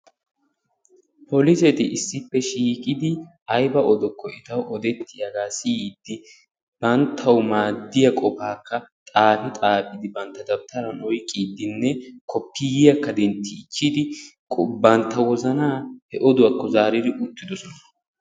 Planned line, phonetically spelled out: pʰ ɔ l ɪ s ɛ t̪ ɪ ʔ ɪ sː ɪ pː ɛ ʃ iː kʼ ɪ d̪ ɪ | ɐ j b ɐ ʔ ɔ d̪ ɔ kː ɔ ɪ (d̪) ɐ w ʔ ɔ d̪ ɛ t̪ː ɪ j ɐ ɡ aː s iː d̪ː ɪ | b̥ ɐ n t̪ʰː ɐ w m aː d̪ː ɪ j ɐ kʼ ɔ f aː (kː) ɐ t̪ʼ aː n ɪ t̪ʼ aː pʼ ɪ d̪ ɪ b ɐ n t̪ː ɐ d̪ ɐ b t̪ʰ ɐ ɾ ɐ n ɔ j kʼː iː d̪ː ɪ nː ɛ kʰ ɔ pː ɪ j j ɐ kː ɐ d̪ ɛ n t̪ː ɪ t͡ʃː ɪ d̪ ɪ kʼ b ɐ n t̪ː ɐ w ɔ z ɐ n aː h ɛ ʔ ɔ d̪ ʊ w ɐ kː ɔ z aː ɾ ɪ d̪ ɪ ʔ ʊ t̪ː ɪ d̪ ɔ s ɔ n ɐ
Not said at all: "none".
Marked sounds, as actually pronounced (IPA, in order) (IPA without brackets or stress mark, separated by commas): t̪, kː